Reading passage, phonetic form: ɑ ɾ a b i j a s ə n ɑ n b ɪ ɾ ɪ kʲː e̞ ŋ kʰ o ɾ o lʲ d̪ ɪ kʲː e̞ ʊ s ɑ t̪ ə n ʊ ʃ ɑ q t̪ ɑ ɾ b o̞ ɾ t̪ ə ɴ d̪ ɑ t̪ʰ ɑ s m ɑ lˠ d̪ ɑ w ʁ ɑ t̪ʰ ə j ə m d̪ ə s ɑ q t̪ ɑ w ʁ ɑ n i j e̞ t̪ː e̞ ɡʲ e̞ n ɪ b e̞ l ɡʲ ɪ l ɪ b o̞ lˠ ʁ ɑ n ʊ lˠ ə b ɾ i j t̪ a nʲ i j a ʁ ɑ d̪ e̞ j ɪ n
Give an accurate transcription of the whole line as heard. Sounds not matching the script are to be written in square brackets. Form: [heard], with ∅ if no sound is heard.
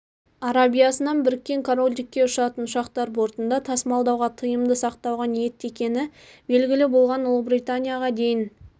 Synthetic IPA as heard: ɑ ɾ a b i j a s ə n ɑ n b ɪ ɾ ɪ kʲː e̞ ŋ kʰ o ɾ o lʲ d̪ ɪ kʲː e̞ ʊ [ʃ] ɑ t̪ ə n ʊ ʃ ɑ q t̪ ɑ ɾ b o̞ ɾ t̪ ə [n] d̪ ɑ t̪ʰ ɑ s m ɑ lˠ d̪ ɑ w ʁ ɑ t̪ʰ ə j ə m d̪ ə s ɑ q t̪ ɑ w ʁ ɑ n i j e̞ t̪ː e̞ [kʲ] e̞ n ɪ b e̞ l ɡʲ ɪ l ɪ b o̞ lˠ ʁ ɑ n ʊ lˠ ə b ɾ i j t̪ a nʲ i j a ʁ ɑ d̪ e̞ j ɪ n

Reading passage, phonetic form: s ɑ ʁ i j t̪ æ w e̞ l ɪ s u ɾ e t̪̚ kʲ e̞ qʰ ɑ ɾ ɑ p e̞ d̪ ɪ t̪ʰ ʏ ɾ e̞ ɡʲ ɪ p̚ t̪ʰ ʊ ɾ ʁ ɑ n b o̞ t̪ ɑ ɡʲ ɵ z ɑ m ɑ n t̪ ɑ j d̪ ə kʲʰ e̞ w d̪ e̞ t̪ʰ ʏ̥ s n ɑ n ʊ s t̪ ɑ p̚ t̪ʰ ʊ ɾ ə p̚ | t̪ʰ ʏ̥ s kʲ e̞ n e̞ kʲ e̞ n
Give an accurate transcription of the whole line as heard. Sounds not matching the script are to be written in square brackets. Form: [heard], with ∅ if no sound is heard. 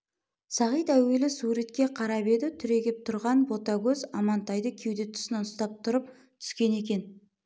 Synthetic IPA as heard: s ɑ ʁ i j t̪ æ w e̞ l ɪ s u ɾ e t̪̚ kʲ e̞ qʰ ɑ ɾ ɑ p e̞ d̪ ɪ t̪ʰ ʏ ɾ e̞ ɡʲ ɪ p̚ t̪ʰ ʊ ɾ ʁ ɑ n b o̞ t̪ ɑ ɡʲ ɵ z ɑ m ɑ n t̪ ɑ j d̪ ə kʲʰ e̞ w d̪ e̞ t̪ʰ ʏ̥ s n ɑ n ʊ s t̪ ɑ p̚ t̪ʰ ʊ ɾ ə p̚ | t̪ʰ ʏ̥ s kʲ e̞ n e̞ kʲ e̞ n

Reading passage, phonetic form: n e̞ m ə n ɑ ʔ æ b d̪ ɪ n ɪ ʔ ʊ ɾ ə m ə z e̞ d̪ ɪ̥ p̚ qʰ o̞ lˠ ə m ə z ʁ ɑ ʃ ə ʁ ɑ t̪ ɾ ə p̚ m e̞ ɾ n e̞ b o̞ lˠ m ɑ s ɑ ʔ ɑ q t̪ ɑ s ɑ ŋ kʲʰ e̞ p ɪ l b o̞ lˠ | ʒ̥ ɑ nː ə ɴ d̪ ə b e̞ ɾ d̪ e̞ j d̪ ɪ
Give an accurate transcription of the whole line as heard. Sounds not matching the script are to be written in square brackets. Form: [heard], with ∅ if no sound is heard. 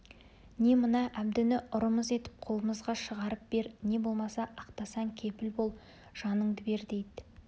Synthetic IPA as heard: n e̞ m ə n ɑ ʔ æ b d̪ ɪ n ɪ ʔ ʊ ɾ ə m ə z e̞ [t̪] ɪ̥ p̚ qʰ o̞ lˠ ə m ə z ʁ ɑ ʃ ə ʁ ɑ [∅] ɾ ə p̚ [b] e̞ ɾ n e̞ b o̞ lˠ m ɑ s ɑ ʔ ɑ q t̪ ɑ s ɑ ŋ kʲʰ e̞ p ɪ l b o̞ lˠ | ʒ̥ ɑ [n] ə ɴ d̪ ə b e̞ ɾ d̪ e̞ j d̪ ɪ

